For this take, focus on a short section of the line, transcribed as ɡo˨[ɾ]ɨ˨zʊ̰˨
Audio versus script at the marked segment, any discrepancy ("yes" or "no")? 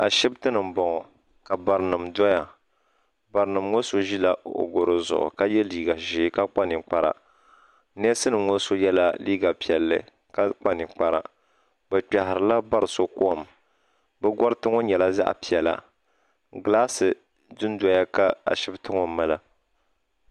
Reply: no